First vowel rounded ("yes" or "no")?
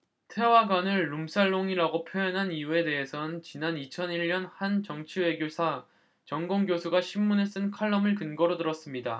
no